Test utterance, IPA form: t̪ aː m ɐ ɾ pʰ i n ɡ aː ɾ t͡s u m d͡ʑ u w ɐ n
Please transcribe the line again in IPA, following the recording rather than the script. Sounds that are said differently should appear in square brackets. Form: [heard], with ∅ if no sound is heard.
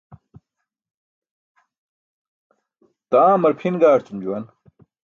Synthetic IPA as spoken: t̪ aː m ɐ ɾ pʰ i n ɡ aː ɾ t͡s u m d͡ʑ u w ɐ n